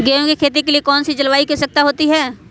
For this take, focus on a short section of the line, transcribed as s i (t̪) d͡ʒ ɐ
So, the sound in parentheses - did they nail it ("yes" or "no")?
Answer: no